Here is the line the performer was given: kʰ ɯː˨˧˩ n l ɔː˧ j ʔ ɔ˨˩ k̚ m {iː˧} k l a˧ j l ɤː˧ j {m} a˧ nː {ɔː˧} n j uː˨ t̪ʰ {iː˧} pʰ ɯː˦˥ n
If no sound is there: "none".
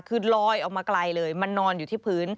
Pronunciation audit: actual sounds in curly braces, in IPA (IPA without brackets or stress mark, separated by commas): aː˧, m, ɔː˧, iː˥˩